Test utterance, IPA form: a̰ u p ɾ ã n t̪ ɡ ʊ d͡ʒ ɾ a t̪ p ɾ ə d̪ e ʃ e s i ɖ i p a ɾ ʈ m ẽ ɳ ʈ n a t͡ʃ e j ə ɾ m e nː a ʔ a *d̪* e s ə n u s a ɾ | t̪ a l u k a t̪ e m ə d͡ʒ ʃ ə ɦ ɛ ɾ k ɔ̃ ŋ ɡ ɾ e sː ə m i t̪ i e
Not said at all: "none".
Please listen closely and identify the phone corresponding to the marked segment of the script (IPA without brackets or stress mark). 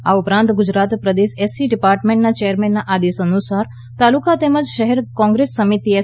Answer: d̪